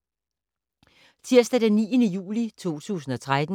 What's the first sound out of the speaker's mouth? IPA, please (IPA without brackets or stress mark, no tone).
t͡sʰ